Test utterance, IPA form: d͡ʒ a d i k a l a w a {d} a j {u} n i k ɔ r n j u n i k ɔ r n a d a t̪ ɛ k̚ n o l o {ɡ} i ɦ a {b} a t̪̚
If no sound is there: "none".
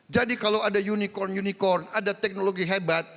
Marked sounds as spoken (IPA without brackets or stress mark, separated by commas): d, u, ɡ, b